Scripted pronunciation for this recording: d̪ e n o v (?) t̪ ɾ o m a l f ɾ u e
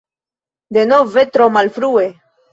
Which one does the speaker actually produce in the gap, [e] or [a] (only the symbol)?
e